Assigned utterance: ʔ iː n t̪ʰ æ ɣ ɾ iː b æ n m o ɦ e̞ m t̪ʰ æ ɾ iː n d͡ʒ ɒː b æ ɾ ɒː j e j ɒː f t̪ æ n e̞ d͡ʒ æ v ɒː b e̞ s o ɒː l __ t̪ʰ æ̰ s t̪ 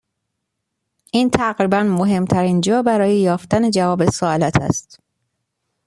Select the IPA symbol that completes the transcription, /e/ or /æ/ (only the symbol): æ